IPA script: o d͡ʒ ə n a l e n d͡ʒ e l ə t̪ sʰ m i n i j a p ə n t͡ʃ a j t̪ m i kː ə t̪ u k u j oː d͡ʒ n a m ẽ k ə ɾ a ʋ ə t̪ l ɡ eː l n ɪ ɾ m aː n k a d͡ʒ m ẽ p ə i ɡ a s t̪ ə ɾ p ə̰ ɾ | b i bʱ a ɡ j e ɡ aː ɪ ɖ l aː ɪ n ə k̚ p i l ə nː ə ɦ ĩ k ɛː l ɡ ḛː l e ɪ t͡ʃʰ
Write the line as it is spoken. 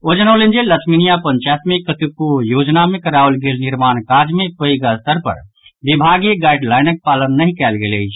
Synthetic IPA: o d͡ʒ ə n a l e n d͡ʒ e l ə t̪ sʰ m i n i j a p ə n t͡ʃ a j t̪ m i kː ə t̪ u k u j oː d͡ʒ n a m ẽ k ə ɾ a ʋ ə l ɡ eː l n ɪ ɾ m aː n k a d͡ʒ m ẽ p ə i ɡ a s t̪ ə ɾ p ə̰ ɾ | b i bʱ a ɡ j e ɡ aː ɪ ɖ l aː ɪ n ə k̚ p a l ə nː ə ɦ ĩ k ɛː l ɡ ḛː l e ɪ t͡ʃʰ

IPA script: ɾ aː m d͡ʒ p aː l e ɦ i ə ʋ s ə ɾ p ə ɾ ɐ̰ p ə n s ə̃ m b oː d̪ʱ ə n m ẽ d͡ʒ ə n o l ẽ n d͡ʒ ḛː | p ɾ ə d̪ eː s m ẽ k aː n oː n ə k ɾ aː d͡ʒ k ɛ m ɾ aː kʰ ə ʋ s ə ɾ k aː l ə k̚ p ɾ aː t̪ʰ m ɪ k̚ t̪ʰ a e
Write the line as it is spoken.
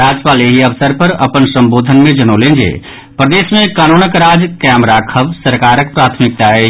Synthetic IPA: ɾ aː d͡ʒ p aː l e ɦ i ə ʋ s ə ɾ p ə ɾ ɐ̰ p ə n s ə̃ m b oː d̪ʱ ə n m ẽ d͡ʒ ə n o l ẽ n d͡ʒ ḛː | p ɾ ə d̪ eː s m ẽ k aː n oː n ə k ɾ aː d͡ʒ k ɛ m ɾ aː kʰ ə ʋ s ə ɾ k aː ɾ ə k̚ p ɾ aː t̪ʰ m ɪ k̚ t̪ a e

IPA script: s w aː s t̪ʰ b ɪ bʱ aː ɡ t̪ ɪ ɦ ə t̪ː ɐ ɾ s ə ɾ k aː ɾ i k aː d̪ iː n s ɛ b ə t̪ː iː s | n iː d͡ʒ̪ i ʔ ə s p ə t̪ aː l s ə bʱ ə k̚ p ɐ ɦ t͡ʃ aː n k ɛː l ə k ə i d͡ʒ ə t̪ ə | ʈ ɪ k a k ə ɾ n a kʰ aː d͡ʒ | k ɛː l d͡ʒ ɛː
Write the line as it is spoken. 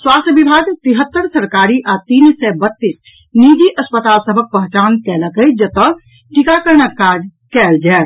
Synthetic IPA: s w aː s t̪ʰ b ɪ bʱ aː ɡ t̪ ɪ ɦ ə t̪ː ə ɾ s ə ɾ k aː ɾ i ʔ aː t̪ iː n s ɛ b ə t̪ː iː s | n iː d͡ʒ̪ i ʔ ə s p ə t̪ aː l s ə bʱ ə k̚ p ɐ ɦ t͡ʃ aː n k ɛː l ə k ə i d͡ʒ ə t̪ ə | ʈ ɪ k a k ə ɾ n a k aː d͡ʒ | k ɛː l d͡ʒ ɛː

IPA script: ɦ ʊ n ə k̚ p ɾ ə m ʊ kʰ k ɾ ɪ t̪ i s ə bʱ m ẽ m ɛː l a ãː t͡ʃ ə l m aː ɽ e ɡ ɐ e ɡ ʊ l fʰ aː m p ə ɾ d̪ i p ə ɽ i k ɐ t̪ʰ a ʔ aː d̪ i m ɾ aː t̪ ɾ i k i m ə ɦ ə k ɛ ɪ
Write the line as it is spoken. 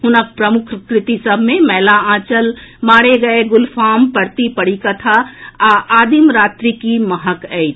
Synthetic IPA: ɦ ʊ n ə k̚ p ɾ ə m ʊ kʰ k ɾ ɪ t̪ i s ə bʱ m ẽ m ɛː l a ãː t͡ʃ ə l m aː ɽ e ɡ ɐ e ɡ ʊ l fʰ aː m p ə ɾ t̪ i p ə ɽ i k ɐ t̪ʰ a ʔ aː d̪ i m ɾ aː t̪ ɾ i k i m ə ɦ ə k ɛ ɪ

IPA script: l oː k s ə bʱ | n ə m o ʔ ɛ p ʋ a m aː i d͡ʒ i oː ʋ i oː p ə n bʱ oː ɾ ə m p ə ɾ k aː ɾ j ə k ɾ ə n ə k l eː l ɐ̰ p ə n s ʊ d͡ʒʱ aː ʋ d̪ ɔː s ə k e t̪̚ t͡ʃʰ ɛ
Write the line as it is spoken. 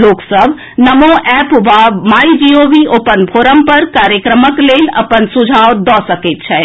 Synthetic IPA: l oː k s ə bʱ | n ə m o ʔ ɛ p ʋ a m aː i d͡ʒ i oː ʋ i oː p ə n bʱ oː ɾ ə m p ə ɾ k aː ɾ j ə k ɾ ə m ə k l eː l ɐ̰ p ə n s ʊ d͡ʒʱ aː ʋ d̪ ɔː s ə k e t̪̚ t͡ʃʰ ɛ

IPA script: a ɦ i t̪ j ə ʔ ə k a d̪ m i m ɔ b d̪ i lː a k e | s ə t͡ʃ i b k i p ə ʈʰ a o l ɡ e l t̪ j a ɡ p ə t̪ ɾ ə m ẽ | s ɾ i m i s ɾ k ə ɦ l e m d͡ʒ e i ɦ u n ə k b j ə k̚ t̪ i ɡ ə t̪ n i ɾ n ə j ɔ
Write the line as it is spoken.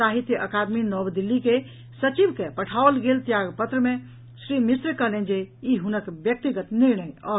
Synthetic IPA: a ɦ i t̪ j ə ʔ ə k a d̪ m i n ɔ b d̪ i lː i k e | s ə t͡ʃ i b k e p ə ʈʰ a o l ɡ e l t̪ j a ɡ p ə t̪ ɾ ə m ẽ | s ɾ i m i s ɾ k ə ɦ l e n d͡ʒ e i ɦ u n ə k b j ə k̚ t̪ i ɡ ə t̪ n i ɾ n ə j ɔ

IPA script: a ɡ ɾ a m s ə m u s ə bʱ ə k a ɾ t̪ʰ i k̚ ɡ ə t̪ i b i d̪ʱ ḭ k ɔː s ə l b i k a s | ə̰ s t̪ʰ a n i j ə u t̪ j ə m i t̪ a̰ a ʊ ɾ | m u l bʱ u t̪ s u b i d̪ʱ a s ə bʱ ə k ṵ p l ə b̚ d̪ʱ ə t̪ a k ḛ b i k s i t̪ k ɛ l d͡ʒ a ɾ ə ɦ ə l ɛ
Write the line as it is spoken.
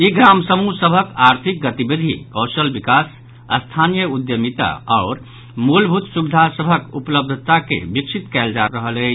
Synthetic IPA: i ɡ ɾ a m s ə m u s ə bʱ ə k a ɾ t̪ʰ i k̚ ɡ ə t̪ i b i d̪ʱ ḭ k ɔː s ə l b i k a s | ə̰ s t̪ʰ a n i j ə u d̪ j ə m i t̪ a̰ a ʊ ɾ | m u l bʱ u t̪ s u b i d̪ʱ a s ə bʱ ə k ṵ p l ə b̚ d̪ʱ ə t̪ a k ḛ b i k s i t̪ k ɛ l d͡ʒ a ɾ ə ɦ ə l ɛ

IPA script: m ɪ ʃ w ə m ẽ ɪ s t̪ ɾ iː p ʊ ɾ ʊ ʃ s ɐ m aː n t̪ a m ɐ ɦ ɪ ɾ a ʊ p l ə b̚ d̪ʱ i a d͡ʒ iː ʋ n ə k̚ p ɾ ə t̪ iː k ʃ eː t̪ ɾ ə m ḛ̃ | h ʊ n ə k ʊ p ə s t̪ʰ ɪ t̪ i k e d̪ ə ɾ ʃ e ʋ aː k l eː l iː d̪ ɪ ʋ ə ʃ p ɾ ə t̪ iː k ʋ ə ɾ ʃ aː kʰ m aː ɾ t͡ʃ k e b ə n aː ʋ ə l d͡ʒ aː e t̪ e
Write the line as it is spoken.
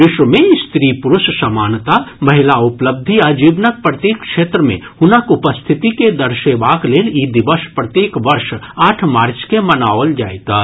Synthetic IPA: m ɪ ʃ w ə m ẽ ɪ s t̪ ɾ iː p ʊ ɾ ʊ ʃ s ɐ m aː n t̪ a m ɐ ɦ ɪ l a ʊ p l ə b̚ d̪ʱ i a d͡ʒ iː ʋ n ə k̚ p ɾ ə t̪ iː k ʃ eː t̪ ɾ ə m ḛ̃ | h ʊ n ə k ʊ p ə s t̪ʰ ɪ t̪ i k e d̪ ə ɾ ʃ e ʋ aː k l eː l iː d̪ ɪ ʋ ə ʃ p ɾ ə t̪ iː k ʋ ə ɾ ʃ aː ʈʰ m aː ɾ t͡ʃ k e m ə n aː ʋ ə l d͡ʒ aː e t̪ a

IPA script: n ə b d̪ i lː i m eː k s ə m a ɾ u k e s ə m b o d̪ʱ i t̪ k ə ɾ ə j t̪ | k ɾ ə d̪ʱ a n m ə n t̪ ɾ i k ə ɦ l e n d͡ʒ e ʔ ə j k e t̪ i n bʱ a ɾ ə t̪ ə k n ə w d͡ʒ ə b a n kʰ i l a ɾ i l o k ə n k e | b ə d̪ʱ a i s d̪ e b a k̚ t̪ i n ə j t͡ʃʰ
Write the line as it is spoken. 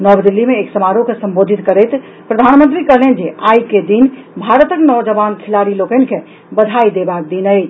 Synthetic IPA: n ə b d̪ i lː i m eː k s ə m a ɾ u k e s ə m b o d̪ʱ i t̪ k ə ɾ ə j t̪ | p ɾ ə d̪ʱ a n m ə n t̪ ɾ i k ə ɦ l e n d͡ʒ e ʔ a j k e d̪ i n bʱ a ɾ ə t̪ ə k n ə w d͡ʒ ə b a n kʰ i l a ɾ i l o k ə n k e | b ə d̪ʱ a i d̪ e b a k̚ d̪ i n ə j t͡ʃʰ

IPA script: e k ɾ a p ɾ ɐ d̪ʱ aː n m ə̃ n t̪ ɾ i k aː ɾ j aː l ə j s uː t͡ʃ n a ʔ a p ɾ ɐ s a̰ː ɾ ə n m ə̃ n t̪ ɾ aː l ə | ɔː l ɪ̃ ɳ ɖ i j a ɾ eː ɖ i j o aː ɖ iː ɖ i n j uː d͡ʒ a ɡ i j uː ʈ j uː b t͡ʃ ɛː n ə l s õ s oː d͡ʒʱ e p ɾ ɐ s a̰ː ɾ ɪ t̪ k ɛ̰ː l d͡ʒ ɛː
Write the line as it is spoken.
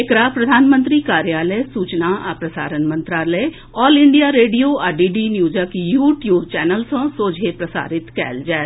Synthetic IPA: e k ɾ a p ɾ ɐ d̪ʱ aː n m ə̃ n t̪ ɾ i k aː ɾ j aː l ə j s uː t͡ʃ n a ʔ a p ɾ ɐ s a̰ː ɾ ə n m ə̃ n t̪ ɾ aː l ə | ɔː l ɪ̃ ɳ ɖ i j a ɾ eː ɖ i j o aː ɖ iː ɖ i n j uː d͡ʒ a k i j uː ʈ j uː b t͡ʃ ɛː n ə l s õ s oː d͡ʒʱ e p ɾ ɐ s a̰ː ɾ ɪ t̪ k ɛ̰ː l d͡ʒ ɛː

